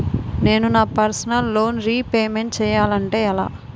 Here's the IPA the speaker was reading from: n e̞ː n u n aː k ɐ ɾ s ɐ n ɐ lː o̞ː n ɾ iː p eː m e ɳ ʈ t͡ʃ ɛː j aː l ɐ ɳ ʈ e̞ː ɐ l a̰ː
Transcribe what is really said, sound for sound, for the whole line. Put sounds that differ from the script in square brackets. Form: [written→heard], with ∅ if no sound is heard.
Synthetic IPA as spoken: n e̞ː n u n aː [k→p] ɐ ɾ s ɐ n ɐ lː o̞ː n ɾ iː p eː m e ɳ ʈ t͡ʃ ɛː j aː l ɐ ɳ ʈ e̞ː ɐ l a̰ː